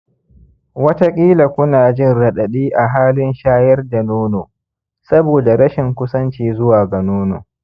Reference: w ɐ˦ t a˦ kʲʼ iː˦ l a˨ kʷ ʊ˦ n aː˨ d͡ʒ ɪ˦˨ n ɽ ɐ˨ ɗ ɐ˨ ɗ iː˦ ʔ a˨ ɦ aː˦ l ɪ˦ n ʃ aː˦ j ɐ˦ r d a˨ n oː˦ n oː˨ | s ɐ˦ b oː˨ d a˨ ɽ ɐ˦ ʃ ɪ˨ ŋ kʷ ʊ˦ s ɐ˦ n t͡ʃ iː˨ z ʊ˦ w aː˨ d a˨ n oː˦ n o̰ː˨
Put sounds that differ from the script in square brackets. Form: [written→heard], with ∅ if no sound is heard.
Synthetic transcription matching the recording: w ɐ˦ t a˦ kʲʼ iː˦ l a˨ kʷ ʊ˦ n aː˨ d͡ʒ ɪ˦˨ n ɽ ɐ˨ ɗ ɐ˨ ɗ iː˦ ʔ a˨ ɦ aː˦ l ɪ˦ n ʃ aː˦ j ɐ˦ r d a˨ n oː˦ n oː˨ | s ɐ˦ b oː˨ d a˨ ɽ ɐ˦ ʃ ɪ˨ ŋ kʷ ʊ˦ s ɐ˦ n t͡ʃ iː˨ z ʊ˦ w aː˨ [d→ɡ] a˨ n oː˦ n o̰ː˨